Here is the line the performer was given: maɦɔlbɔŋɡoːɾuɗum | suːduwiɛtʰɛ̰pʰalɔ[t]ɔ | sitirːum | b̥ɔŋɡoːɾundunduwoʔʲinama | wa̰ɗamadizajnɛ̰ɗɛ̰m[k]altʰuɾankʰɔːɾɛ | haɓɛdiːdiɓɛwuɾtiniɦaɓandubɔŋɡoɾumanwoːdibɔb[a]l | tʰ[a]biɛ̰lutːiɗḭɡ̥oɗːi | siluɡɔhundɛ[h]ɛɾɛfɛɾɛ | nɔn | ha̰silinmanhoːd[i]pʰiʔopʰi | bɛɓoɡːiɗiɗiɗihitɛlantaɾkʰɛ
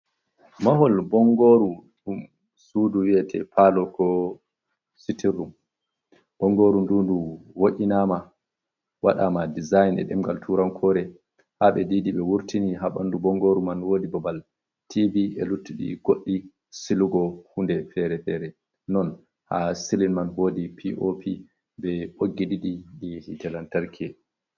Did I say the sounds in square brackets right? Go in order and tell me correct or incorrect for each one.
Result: incorrect, incorrect, correct, incorrect, incorrect, correct

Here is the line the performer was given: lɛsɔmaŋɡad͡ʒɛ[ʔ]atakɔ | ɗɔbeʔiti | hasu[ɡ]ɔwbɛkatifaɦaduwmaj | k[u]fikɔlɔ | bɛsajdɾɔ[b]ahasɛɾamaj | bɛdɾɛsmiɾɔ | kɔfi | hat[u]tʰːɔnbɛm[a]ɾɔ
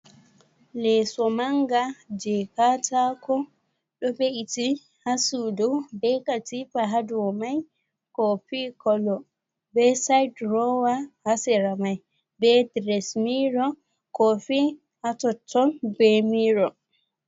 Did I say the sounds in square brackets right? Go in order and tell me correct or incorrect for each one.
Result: incorrect, incorrect, incorrect, incorrect, incorrect, incorrect

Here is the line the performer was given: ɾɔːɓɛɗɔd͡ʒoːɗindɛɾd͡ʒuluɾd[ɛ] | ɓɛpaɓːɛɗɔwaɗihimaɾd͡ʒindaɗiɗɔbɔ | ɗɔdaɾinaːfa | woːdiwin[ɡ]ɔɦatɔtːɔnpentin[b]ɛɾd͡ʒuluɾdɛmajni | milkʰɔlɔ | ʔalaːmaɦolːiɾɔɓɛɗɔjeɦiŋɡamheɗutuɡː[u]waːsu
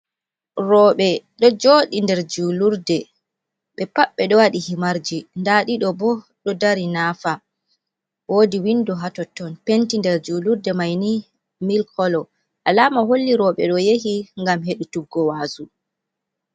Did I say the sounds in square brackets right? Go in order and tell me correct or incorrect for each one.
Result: correct, incorrect, incorrect, incorrect

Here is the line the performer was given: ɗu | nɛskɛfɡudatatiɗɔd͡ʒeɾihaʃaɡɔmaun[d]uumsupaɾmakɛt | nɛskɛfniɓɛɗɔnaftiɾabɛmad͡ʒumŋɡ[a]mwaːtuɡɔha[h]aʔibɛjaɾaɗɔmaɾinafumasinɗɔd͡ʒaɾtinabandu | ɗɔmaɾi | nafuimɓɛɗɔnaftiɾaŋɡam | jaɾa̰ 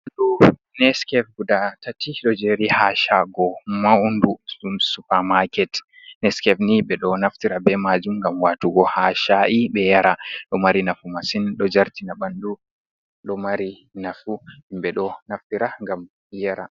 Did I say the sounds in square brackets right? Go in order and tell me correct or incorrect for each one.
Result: correct, correct, incorrect

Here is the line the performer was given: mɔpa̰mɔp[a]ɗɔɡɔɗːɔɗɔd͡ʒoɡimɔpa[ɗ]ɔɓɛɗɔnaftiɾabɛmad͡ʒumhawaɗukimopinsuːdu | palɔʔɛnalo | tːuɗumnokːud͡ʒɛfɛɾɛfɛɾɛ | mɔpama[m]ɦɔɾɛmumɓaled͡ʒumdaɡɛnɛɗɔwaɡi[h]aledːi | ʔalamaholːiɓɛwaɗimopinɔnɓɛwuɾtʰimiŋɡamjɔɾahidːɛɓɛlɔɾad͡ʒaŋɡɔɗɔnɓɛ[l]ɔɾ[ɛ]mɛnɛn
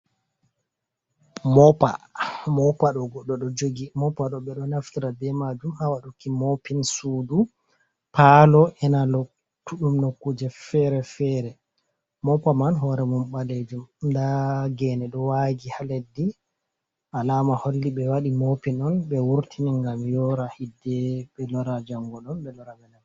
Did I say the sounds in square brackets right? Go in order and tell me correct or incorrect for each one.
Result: correct, correct, incorrect, correct, correct, incorrect

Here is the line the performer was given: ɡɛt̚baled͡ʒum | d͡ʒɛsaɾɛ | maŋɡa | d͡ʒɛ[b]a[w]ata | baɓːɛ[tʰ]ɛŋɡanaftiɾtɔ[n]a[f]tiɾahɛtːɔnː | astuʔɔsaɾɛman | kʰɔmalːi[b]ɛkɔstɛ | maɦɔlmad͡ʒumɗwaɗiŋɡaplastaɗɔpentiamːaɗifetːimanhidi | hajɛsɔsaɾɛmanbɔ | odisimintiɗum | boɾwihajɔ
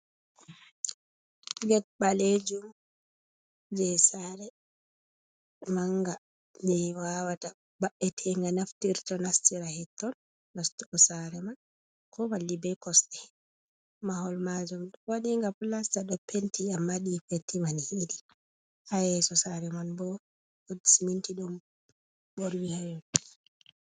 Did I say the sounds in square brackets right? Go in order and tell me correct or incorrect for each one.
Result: incorrect, correct, correct, correct, incorrect, correct

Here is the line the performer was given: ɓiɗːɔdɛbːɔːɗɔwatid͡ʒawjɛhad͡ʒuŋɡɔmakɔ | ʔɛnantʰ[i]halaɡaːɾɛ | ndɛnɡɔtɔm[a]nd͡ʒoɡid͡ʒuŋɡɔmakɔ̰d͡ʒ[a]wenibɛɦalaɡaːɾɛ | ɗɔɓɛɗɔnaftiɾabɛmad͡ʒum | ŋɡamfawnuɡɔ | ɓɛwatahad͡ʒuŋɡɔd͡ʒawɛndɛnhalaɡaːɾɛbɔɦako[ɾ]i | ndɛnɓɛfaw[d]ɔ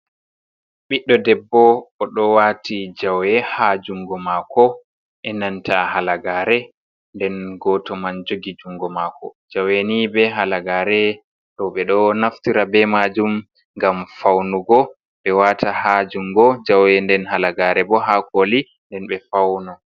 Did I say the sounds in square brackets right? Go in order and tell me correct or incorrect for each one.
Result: incorrect, correct, correct, incorrect, incorrect

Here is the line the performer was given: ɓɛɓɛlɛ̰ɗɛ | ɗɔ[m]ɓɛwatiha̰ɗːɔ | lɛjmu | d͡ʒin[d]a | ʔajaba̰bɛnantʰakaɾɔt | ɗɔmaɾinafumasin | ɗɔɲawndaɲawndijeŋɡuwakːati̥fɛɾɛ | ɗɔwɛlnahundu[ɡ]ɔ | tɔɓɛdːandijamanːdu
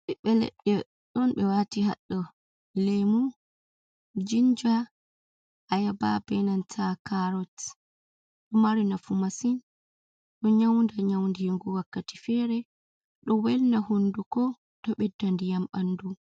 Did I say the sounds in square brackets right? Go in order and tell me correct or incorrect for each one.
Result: incorrect, incorrect, incorrect

